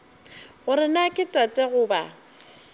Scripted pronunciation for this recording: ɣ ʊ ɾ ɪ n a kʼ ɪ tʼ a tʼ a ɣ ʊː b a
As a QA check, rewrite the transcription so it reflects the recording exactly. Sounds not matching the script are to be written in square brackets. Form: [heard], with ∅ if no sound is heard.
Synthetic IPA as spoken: ɣ ʊ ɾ ɪ n a kʼ ɪ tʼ a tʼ [ɛ] ɣ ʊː b a

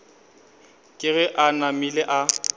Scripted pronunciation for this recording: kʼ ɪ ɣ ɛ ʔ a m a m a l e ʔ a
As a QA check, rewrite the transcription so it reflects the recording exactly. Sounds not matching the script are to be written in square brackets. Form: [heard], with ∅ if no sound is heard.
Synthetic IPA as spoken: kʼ ɪ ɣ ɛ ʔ a [n] a m [i] l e ʔ a

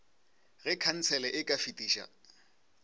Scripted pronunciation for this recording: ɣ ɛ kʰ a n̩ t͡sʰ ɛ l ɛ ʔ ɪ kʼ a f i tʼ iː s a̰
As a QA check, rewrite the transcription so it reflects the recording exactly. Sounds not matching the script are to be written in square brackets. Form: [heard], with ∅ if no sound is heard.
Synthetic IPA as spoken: ɣ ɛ kʰ a n̩ t͡sʰ ɛ l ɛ ʔ ɪ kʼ a f i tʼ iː [ʃ] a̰

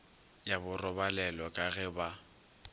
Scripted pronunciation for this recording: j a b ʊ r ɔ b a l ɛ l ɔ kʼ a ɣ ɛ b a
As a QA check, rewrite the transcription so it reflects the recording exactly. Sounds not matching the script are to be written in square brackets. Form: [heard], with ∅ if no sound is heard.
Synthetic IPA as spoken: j a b ʊ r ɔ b a l ɛ l ɔ kʼ a ɣ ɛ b a

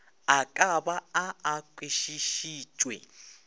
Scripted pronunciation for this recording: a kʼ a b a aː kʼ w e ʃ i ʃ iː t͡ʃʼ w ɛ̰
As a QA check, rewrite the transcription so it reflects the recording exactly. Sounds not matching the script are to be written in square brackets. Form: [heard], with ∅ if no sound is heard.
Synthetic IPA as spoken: a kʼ a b a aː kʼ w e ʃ i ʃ iː t͡ʃʼ w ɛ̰

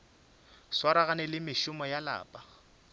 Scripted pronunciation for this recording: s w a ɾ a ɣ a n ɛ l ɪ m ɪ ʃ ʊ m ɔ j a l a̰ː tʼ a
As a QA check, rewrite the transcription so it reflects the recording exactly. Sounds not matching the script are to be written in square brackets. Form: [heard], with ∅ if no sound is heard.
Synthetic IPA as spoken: s w a ɾ a ɣ a n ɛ l ɪ m ɪ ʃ ʊ m ɔ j a l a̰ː [pʼ] a

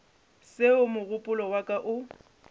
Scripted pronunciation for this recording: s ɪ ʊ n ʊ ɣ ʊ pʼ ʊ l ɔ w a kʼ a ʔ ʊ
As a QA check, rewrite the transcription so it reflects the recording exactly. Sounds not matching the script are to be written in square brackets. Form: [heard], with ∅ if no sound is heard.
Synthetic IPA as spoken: s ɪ ʊ [m] ʊ ɣ ʊ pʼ ʊ l ɔ w a kʼ a ʔ ʊ

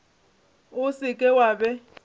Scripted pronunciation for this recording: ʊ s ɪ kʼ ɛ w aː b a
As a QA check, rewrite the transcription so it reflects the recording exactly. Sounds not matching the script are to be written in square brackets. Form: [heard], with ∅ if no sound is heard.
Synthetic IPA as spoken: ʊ s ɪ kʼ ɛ w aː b [ɛ]

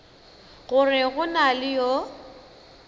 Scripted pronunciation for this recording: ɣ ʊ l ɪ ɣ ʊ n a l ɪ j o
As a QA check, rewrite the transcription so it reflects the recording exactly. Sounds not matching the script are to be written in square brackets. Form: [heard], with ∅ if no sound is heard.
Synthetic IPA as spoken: ɣ ʊ [r] ɪ ɣ ʊ n a l ɪ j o

